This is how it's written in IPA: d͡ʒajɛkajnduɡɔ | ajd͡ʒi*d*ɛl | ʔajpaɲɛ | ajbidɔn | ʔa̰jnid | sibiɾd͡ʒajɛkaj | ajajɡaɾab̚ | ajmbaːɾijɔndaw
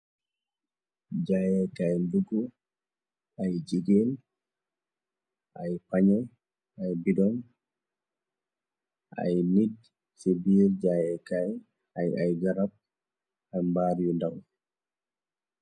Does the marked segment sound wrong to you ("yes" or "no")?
yes